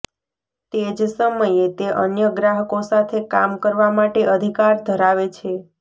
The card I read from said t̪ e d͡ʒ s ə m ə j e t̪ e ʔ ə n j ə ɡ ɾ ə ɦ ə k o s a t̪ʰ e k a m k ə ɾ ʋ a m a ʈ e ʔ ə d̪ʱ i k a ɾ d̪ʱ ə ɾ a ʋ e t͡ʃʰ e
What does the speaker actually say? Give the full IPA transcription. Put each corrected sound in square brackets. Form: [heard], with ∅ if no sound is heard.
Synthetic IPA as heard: t̪ e d͡ʒ s ə m ə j e t̪ e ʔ ə n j ə ɡ ɾ [a] ɦ ə k o s a t̪ʰ e k a m k ə ɾ ʋ a m a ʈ e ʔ ə d̪ʱ i k a ɾ d̪ʱ ə ɾ a ʋ e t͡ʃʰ e

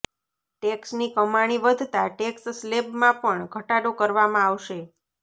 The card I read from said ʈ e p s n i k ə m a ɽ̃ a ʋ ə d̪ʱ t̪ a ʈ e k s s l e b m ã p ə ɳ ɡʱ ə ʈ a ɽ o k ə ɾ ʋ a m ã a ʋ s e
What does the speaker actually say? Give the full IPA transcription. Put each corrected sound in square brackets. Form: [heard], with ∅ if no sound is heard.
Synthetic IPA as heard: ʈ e [k] s n i k ə m a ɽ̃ [i] ʋ ə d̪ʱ t̪ a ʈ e k s s l e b m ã p ə ɳ ɡʱ ə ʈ a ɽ o k ə ɾ ʋ a m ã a ʋ [ʃ] e

